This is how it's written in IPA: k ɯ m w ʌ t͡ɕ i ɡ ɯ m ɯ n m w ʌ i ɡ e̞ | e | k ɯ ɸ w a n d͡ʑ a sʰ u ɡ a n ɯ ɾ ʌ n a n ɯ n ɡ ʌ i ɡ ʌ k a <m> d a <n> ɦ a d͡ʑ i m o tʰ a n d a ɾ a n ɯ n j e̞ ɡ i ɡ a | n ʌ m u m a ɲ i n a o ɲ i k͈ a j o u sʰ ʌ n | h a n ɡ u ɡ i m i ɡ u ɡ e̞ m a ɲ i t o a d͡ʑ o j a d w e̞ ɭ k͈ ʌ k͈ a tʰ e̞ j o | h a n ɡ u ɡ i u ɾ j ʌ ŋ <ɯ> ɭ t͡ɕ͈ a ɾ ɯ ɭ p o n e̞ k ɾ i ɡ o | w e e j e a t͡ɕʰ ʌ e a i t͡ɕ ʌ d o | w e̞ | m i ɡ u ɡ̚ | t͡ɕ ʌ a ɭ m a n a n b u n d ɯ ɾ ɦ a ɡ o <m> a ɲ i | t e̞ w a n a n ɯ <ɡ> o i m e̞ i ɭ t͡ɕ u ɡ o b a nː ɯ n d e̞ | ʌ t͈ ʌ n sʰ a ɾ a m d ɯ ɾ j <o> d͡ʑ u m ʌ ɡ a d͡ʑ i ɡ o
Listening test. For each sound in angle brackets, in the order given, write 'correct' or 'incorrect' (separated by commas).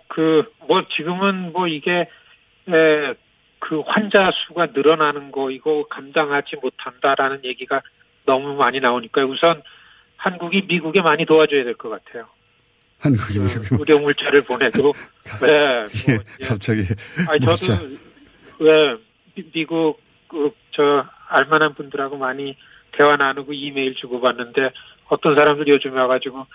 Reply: correct, incorrect, incorrect, correct, correct, correct